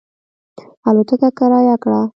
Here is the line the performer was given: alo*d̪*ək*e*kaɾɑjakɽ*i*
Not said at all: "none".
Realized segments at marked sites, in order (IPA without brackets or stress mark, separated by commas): t̪, a, a